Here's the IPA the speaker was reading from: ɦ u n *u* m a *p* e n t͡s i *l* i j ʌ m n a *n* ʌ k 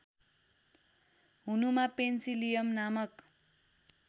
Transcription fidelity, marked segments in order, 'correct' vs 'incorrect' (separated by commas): correct, correct, correct, incorrect